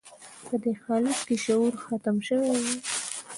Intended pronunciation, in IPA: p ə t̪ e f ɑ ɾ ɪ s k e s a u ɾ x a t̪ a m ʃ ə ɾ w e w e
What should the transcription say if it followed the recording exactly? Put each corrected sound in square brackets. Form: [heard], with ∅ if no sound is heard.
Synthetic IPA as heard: p ə [d̪] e [x] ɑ [l] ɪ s k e [ʃ] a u ɾ x a t̪ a m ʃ ə [∅] w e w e